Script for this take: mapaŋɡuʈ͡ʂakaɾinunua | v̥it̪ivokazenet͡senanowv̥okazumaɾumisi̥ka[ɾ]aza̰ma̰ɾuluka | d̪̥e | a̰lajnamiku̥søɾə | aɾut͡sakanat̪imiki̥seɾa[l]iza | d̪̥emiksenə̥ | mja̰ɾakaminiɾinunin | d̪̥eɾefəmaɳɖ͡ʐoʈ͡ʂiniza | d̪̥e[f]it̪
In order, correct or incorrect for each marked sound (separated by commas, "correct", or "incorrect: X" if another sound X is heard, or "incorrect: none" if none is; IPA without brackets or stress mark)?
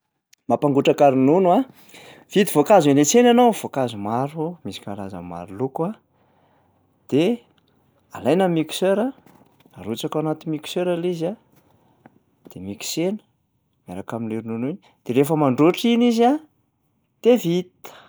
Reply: incorrect: l, correct, incorrect: v